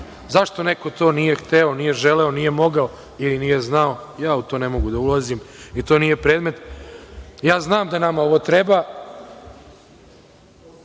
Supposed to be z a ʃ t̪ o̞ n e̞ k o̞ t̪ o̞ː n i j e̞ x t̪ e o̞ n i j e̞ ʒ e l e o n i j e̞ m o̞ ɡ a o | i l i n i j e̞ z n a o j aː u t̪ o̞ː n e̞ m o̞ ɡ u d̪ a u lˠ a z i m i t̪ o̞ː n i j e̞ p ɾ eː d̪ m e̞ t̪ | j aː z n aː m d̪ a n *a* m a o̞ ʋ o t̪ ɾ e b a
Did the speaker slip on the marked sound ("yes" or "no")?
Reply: no